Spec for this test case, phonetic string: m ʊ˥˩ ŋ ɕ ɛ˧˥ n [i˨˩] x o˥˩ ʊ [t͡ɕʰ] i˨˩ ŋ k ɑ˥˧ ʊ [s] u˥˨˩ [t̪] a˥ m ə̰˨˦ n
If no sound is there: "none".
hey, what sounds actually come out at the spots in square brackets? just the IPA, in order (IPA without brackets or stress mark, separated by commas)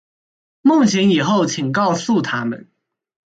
i˨˩, t͡ɕʰ, s, t̪ʰ